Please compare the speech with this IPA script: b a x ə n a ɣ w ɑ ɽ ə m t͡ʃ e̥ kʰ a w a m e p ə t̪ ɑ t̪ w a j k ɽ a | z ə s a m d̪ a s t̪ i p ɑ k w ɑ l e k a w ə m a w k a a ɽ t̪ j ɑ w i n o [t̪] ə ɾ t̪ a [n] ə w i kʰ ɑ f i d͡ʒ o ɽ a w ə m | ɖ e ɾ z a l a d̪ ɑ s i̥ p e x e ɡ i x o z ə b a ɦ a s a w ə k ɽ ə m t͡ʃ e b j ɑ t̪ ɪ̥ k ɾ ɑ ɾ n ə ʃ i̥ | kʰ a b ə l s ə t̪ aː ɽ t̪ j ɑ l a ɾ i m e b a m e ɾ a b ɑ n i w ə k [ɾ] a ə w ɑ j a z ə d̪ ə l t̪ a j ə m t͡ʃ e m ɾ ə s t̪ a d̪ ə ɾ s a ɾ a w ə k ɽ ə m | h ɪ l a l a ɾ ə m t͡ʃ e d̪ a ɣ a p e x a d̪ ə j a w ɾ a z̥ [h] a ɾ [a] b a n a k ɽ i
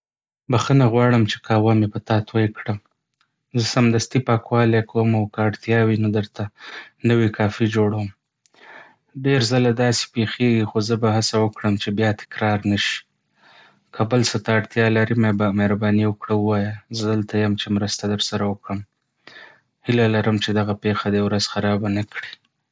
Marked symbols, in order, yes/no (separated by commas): no, yes, no, no, no